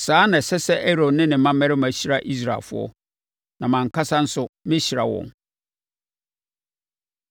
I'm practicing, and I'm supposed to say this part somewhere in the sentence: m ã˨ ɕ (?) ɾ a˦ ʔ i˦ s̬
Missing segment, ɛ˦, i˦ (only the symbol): i˦